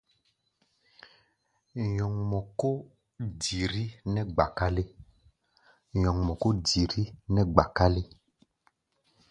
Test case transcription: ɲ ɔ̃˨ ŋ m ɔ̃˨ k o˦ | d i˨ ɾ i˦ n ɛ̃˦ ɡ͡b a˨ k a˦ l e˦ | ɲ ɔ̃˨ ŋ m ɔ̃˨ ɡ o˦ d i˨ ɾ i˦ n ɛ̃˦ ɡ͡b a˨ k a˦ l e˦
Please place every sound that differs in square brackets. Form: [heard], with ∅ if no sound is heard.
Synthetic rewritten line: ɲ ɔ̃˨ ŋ m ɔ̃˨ k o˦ | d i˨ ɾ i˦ n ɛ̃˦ ɡ͡b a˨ k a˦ l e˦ | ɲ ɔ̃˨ ŋ m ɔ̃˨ [k] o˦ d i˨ ɾ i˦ n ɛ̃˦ ɡ͡b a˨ k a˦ l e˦